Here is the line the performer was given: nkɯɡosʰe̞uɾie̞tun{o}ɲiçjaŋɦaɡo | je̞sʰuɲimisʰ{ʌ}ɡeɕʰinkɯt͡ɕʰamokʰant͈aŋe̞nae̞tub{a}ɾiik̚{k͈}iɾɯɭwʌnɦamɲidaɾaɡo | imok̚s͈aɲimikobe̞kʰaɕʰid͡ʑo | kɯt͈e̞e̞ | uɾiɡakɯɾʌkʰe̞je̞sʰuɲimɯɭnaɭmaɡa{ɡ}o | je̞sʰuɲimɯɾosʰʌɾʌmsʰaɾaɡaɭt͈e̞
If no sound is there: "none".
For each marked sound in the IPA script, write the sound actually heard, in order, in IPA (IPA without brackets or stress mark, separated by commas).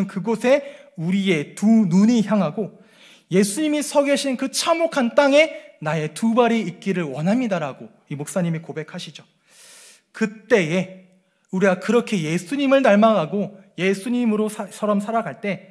u, ʌ, a, k͈, ɡ